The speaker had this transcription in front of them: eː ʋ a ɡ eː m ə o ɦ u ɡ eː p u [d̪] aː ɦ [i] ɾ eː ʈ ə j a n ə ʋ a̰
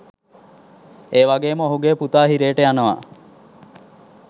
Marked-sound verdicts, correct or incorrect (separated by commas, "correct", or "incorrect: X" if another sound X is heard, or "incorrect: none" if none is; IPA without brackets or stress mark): incorrect: t̪, correct